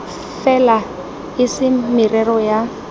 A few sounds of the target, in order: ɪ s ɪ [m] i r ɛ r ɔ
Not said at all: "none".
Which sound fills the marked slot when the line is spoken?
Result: m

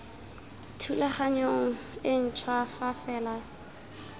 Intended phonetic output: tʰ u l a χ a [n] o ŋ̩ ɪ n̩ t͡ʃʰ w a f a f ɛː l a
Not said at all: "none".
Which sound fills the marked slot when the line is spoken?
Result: ɲ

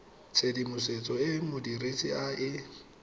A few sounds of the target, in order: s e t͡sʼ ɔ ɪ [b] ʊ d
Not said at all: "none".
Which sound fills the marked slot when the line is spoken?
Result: m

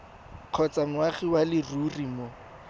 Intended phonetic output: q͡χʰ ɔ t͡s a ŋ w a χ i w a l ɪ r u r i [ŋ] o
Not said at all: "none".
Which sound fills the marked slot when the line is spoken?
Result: m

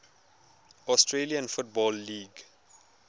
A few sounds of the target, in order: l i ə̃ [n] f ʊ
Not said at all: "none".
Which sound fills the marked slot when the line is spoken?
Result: n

